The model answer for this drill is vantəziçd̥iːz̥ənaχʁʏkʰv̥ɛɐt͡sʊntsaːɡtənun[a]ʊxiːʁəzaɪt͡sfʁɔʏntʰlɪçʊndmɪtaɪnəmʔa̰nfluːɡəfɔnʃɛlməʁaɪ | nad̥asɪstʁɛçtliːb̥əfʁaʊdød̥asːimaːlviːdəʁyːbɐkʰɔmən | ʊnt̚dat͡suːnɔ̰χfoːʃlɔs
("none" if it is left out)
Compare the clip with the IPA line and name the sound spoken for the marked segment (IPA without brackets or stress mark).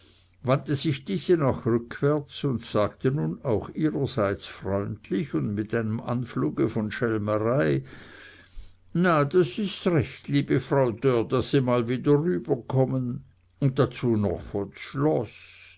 a